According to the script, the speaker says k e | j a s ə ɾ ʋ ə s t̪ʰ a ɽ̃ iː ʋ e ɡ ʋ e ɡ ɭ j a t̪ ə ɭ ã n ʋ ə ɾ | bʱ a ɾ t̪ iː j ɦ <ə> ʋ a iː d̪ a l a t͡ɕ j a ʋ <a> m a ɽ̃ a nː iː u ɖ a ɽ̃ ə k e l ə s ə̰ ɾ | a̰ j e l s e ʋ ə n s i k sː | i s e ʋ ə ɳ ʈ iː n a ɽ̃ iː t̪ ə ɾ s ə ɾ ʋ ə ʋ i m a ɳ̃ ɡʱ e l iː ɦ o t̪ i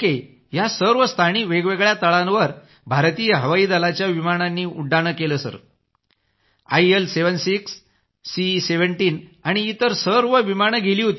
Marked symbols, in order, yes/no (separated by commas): yes, no